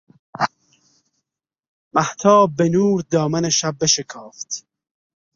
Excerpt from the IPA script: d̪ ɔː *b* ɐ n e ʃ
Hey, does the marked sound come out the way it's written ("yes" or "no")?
no